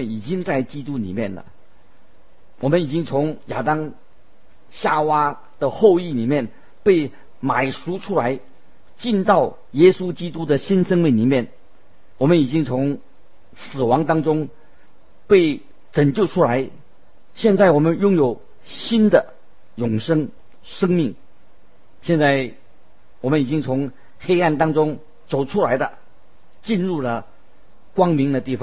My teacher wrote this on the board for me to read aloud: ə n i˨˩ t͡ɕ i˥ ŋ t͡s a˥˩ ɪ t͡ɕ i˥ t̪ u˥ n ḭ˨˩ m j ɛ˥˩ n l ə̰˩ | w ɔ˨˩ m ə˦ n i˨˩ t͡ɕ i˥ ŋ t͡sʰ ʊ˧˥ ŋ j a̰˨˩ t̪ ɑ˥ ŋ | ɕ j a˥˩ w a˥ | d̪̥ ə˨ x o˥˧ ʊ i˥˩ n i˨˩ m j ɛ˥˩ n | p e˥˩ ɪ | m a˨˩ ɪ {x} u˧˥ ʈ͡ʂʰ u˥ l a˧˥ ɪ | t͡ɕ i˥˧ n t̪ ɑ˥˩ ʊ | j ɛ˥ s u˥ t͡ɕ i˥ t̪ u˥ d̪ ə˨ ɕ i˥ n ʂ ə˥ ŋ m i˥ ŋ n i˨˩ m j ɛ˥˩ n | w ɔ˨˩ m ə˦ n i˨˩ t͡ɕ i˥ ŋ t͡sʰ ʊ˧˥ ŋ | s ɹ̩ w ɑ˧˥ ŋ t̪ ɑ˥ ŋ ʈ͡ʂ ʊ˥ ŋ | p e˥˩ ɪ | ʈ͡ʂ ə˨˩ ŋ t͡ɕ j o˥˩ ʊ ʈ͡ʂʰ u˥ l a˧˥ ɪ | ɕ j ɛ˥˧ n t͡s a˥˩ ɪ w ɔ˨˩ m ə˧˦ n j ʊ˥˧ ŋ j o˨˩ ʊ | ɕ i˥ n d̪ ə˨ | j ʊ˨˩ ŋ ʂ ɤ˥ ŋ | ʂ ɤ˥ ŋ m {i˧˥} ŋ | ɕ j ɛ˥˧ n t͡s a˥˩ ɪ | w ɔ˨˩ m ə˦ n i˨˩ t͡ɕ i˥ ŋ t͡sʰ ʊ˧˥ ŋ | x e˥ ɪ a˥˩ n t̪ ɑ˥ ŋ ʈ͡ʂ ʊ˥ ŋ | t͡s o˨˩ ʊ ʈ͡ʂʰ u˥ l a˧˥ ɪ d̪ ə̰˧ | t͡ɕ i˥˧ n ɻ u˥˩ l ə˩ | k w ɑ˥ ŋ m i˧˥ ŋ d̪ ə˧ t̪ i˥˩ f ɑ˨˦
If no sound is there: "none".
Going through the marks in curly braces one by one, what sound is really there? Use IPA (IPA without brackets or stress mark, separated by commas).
ʂ, i˥˩